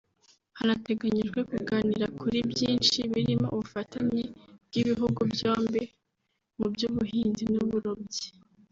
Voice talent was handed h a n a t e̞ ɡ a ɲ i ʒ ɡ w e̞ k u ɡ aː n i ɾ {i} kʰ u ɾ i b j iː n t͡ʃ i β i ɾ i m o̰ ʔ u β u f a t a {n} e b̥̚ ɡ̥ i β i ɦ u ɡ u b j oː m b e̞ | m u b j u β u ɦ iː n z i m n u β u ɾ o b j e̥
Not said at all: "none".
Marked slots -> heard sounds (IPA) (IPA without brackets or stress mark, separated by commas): a, ɲ